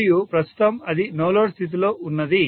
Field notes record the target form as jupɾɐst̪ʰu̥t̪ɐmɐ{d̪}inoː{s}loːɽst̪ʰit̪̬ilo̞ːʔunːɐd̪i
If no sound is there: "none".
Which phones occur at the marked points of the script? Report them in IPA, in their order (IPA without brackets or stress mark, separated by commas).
d̪, none